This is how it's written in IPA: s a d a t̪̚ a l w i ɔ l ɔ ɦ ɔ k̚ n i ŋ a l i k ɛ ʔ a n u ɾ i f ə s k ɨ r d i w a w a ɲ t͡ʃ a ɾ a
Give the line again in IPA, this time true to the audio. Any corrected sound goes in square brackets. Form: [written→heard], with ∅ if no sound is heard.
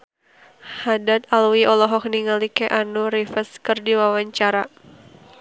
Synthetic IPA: [s→h] a d a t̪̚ a l w i ɔ l ɔ ɦ ɔ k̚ n i ŋ a l i k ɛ ʔ a n u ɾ i f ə s k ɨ r d i w a w a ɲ t͡ʃ a ɾ a